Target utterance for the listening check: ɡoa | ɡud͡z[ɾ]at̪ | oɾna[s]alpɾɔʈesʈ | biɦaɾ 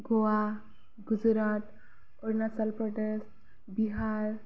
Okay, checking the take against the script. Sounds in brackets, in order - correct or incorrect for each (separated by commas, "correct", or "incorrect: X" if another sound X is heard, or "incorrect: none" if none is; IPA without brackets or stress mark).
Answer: correct, correct